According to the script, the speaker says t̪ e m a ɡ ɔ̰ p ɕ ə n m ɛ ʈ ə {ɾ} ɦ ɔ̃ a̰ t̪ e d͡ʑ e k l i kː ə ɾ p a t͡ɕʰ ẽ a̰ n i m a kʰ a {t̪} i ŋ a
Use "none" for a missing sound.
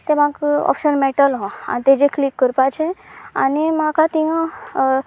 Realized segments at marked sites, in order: l, t̪

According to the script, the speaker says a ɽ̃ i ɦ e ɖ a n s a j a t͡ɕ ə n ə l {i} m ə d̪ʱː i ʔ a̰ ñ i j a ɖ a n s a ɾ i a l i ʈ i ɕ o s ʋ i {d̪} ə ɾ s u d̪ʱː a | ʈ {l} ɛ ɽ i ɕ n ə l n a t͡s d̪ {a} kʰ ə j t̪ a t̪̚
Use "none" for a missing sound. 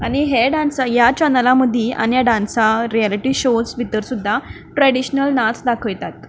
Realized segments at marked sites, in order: a, t̪, ɾ, a

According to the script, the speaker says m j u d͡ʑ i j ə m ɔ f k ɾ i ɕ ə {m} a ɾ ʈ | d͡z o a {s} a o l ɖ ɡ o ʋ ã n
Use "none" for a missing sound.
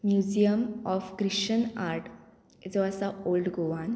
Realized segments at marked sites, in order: n, s

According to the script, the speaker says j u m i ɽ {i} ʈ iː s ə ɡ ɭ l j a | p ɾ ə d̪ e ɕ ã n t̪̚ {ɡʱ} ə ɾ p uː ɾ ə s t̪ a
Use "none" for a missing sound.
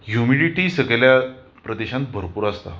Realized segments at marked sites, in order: i, bʱ

